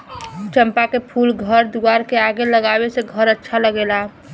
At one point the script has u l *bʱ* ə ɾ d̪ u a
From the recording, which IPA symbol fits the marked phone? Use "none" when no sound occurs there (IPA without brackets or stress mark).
ɡʱ